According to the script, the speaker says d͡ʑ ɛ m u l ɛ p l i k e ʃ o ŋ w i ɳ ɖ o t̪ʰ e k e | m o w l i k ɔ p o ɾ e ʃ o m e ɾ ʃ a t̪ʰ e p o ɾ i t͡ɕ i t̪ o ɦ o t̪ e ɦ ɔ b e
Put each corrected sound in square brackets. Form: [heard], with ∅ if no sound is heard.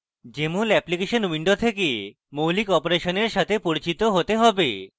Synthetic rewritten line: d͡ʑ [e] m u l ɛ p l i k e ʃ o [n] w i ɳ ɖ o t̪ʰ e k e | m o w l i k ɔ p o ɾ e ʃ o [n] e ɾ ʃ a t̪ʰ e p o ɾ i t͡ɕ i t̪ o ɦ o t̪ e ɦ ɔ b e